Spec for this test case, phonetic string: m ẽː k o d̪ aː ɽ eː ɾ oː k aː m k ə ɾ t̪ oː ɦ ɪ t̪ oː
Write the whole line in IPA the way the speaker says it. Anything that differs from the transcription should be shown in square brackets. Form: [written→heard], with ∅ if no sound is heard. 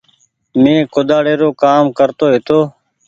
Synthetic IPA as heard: m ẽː k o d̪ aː ɽ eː ɾ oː k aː m k ə ɾ t̪ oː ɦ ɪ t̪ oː